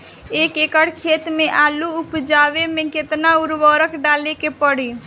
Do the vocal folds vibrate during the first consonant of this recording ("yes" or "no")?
no